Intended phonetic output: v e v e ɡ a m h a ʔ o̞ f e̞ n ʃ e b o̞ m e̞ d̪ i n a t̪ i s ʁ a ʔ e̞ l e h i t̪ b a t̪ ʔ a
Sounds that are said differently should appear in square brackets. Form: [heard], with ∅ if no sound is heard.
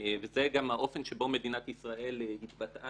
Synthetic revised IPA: v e [z] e ɡ a m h a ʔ o̞ f e̞ n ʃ e b o̞ m e̞ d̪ i n a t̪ i s ʁ a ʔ e̞ l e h i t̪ b a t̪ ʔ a